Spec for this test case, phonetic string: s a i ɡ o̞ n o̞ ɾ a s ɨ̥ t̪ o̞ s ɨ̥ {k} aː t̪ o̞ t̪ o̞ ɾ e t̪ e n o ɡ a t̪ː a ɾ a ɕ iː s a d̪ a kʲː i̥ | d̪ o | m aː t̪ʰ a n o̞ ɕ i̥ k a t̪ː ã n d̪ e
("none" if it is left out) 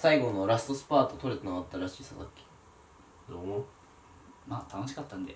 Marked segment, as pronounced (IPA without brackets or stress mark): p